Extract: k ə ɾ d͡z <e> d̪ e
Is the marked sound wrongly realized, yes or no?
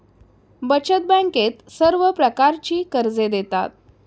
no